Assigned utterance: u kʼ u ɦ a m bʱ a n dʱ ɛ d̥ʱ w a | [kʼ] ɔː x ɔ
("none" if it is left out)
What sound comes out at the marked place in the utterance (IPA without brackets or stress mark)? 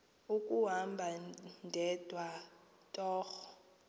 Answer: tʼ